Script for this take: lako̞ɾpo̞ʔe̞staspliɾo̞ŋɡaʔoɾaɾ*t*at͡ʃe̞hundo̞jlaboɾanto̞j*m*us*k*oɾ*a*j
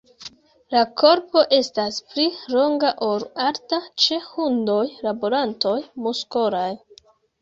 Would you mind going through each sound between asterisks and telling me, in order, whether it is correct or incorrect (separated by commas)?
correct, correct, correct, correct